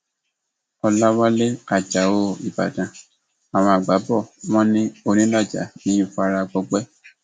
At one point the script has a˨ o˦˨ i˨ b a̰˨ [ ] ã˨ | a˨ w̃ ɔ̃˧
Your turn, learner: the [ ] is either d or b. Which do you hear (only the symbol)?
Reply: d